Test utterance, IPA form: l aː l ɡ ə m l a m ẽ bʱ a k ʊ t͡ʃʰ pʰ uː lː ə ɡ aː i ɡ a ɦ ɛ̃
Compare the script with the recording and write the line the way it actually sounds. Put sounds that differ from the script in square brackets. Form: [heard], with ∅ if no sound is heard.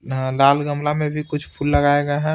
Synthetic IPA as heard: l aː l ɡ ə m l a m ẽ bʱ [i] k ʊ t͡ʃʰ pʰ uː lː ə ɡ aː [e] ɡ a ɦ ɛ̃